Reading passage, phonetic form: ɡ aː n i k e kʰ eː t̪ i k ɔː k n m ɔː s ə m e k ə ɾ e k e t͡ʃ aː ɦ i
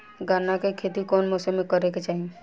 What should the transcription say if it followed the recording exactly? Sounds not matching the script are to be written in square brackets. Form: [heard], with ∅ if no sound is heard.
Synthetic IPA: ɡ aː n [a] k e kʰ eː t̪ i k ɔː [∅] n m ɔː s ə m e k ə ɾ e k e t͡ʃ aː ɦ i